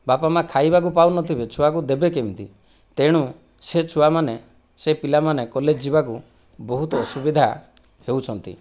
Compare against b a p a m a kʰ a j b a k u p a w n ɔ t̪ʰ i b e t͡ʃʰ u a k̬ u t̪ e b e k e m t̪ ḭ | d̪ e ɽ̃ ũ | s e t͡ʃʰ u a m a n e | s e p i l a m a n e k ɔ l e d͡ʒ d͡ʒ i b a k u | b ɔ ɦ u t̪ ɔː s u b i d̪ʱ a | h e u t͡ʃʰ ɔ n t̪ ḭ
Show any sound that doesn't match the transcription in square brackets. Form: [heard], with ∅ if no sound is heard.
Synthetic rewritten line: b a p a m a kʰ a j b a k u p a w n ɔ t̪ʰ i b e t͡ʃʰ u a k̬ u [d̪] e b e k e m t̪ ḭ | [t̪] e ɽ̃ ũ | s e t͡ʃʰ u a m a n e | s e p i l a m a n e k ɔ l e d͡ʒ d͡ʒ i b a k u | b ɔ ɦ u t̪ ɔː s u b i d̪ʱ a | h e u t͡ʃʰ ɔ n t̪ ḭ